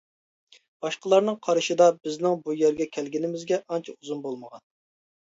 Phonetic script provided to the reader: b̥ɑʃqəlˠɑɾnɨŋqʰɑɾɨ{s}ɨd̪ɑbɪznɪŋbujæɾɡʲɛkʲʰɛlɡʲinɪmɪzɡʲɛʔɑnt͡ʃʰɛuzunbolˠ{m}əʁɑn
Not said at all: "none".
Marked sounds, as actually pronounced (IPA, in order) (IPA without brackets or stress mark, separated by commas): ʃ, m